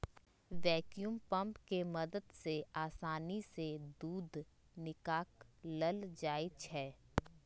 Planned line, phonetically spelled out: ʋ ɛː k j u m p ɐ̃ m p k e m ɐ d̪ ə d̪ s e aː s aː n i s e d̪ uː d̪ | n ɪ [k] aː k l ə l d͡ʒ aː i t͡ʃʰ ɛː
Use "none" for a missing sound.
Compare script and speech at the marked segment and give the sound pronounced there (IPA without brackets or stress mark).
k